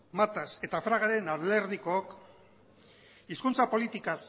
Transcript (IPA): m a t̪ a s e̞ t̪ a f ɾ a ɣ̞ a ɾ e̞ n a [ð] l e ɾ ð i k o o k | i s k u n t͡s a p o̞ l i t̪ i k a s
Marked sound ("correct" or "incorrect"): correct